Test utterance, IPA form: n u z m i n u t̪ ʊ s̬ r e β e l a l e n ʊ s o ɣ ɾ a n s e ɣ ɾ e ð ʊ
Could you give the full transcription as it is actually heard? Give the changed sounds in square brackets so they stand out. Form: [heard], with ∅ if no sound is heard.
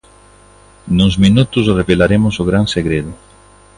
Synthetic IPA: n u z m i n u t̪ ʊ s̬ r e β e l a [ɾ] e [m] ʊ s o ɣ ɾ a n s e ɣ ɾ e ð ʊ